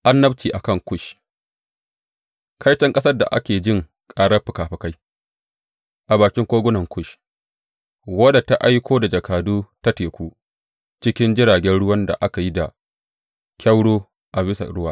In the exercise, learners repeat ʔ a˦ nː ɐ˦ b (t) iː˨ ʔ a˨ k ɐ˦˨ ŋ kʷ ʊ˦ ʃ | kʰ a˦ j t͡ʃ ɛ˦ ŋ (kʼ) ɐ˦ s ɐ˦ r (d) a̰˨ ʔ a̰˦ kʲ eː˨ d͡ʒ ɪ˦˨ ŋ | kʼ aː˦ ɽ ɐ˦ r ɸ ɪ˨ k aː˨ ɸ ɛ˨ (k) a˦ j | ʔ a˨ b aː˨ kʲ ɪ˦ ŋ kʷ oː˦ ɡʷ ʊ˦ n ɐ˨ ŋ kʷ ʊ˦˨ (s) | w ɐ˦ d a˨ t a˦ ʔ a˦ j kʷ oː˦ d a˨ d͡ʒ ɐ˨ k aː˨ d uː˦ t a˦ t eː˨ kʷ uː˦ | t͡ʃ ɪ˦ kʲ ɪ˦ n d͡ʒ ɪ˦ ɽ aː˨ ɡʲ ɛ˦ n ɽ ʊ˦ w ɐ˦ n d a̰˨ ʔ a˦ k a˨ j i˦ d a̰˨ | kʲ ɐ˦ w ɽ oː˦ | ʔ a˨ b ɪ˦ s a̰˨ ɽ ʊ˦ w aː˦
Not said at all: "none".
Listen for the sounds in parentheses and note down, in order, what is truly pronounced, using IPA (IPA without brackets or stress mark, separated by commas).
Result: t͡ʃ, kʼ, d, k, ʃ